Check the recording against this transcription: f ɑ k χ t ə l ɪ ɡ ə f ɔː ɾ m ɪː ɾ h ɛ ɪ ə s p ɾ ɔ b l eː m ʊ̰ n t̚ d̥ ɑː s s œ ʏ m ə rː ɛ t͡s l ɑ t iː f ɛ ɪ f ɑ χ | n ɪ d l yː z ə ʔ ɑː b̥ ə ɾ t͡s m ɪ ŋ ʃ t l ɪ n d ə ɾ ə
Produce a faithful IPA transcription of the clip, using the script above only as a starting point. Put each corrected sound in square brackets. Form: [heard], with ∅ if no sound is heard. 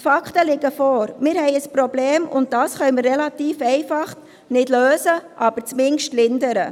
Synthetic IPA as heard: f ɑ k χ t ə l ɪ ɡ ə f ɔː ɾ m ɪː ɾ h ɛ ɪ ə s p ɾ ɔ b l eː m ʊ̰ n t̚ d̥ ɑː s [χ] œ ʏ m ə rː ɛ [∅] l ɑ t iː f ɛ ɪ f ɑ χ | n ɪ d l [øː] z ə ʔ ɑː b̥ ə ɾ t͡s m ɪ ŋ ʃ t l ɪ n d ə ɾ ə